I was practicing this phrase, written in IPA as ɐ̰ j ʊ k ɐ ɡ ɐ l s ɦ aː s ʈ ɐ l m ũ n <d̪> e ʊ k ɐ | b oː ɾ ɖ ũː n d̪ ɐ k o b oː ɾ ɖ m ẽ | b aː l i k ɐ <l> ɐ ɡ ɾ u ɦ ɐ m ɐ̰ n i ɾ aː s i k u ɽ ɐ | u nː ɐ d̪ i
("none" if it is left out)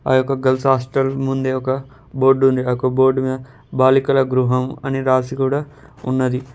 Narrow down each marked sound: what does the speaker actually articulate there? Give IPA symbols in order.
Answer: d̪, l

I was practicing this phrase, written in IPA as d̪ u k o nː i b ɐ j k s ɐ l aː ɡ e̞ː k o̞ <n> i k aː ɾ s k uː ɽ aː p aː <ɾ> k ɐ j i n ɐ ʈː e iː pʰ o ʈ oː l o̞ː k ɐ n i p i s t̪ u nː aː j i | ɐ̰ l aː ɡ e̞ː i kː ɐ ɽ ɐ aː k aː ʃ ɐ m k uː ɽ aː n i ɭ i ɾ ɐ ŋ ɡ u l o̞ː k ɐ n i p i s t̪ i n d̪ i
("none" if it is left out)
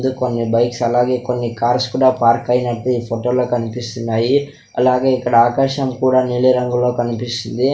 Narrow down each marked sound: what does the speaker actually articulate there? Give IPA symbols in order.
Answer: nː, ɾ

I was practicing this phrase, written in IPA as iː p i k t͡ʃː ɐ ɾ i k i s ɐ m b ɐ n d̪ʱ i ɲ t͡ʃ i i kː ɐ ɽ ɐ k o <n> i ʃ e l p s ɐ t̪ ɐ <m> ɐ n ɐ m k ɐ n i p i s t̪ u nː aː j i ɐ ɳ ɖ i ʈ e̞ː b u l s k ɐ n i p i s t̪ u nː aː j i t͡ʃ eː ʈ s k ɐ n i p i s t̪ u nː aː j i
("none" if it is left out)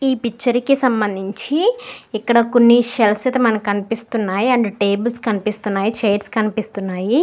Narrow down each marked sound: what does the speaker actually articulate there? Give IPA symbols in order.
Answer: nː, m

